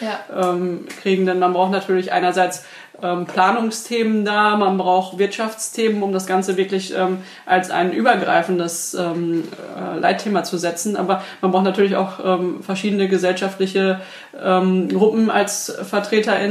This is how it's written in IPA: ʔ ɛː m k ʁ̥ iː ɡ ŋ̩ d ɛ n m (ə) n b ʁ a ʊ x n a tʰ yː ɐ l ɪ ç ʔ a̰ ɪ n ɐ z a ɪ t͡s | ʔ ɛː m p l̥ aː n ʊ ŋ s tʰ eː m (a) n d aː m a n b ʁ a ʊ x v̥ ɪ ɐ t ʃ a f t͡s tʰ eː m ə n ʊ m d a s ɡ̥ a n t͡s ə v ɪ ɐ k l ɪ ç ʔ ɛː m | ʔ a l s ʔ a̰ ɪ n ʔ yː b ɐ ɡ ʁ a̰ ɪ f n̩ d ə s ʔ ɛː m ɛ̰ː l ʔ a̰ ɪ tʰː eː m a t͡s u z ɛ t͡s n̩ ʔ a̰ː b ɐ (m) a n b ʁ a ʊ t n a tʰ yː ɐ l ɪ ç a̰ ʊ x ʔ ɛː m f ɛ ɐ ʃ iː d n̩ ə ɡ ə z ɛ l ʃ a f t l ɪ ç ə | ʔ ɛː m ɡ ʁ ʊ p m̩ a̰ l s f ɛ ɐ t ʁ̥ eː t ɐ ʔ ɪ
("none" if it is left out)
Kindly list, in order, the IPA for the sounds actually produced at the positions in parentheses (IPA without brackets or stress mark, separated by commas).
a, ə, m